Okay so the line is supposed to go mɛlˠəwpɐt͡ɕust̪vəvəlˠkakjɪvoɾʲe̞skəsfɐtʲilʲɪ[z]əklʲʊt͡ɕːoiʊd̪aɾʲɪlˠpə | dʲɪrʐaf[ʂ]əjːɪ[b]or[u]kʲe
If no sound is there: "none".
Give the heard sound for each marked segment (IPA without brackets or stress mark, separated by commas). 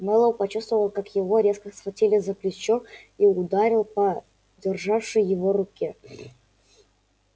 z, ʂ, v, ʊ